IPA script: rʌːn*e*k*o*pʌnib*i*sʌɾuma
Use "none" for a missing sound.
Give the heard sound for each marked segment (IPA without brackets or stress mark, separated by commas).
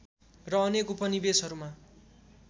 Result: e, u, e